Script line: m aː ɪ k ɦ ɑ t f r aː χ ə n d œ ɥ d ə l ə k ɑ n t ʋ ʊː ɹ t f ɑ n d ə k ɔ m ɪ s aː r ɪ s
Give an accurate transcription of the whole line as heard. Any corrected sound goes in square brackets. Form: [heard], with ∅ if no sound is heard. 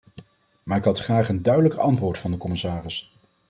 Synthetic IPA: m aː ɪ k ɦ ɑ t [χ] r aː χ ə n d œ ɥ d ə l ə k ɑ n t ʋ ʊː ɹ t f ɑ n d ə k ɔ m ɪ s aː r ɪ s